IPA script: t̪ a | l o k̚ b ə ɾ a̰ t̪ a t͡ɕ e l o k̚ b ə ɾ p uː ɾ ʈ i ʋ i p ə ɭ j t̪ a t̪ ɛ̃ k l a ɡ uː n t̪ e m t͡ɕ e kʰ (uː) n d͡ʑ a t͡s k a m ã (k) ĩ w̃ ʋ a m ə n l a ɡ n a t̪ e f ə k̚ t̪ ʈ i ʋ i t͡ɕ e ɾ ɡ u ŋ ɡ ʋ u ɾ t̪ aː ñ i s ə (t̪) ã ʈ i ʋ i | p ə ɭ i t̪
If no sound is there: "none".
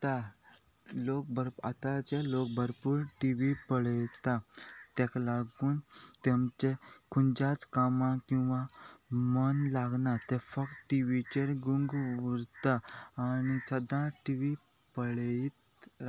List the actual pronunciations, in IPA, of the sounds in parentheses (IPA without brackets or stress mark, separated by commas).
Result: u, k, d̪